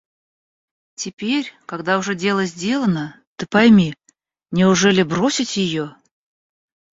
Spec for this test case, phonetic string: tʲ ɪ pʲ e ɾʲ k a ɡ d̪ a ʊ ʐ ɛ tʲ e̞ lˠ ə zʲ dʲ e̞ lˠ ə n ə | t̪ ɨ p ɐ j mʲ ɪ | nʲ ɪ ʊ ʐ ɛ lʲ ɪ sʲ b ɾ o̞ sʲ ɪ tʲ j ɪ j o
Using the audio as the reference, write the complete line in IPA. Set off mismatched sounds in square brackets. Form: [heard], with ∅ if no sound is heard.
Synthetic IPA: tʲ ɪ pʲ e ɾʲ k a ɡ d̪ a ʊ ʐ ɛ [dʲ] e̞ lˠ ə zʲ dʲ e̞ lˠ ə n ə | t̪ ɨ p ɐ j mʲ [i] | nʲ ɪ ʊ ʐ ɛ lʲ ɪ [∅] b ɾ o̞ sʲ ɪ tʲ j ɪ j o